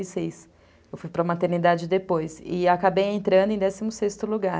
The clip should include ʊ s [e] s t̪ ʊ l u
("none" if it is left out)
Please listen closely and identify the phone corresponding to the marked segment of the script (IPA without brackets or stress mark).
e